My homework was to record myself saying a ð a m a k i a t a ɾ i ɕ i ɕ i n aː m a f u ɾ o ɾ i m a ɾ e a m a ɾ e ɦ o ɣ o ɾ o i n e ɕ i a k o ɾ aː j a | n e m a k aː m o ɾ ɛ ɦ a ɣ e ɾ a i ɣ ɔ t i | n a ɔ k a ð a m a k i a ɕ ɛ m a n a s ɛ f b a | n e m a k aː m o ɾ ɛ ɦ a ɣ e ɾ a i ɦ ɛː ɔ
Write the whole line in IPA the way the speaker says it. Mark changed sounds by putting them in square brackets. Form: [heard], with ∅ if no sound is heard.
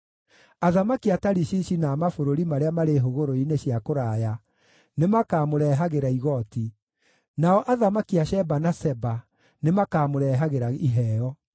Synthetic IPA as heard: a ð a m a k i a t a ɾ i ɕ i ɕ i n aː m a f [o] ɾ o ɾ i m a ɾ e a m a ɾ e ɦ o ɣ o ɾ o i n e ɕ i a k o ɾ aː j a | n e m a k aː m o ɾ ɛ ɦ a ɣ e ɾ a i ɣ ɔ t i | n a ɔ [ʔ] a ð a m a k i a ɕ ɛ [b] a n a s ɛ [∅] b a | n e m a k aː m o ɾ ɛ ɦ a ɣ e ɾ a i ɦ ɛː ɔ